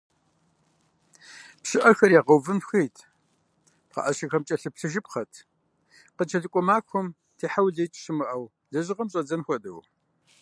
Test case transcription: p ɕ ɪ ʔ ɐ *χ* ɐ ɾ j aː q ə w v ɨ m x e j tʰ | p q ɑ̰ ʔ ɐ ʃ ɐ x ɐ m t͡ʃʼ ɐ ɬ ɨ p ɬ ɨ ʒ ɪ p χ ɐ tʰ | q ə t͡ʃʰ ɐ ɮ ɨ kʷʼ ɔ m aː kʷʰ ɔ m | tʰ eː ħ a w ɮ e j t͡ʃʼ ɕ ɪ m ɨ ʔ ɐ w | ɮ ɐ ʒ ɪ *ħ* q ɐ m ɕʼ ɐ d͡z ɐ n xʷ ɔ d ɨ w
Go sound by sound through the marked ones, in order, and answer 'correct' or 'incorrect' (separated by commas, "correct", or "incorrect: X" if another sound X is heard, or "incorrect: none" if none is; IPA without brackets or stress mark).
incorrect: x, incorrect: none